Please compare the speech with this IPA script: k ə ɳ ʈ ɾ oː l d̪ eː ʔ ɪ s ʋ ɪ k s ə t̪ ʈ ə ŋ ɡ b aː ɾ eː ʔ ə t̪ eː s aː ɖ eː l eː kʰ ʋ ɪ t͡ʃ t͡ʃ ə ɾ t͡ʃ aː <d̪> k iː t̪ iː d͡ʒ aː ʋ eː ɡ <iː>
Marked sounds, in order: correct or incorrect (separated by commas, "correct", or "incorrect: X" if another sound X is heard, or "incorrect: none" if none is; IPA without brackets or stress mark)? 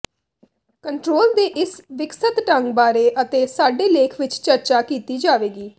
incorrect: none, correct